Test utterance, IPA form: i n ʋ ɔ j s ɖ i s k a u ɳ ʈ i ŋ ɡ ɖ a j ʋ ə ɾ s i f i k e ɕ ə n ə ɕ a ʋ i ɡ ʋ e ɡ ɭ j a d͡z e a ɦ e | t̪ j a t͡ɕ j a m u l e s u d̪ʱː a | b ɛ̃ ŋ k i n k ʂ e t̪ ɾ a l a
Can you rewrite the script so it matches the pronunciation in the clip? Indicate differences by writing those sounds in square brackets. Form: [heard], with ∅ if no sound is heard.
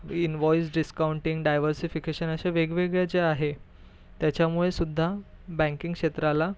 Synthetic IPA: i n ʋ ɔ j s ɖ i s k a u ɳ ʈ i ŋ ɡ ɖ a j ʋ ə ɾ s i f i k e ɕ ə n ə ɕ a ʋ [e] ɡ ʋ e ɡ ɭ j a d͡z e a ɦ e | t̪ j a t͡ɕ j a m u [ɭ] e s u d̪ʱː a | b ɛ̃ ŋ k i [ŋ] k ʂ e t̪ ɾ a l a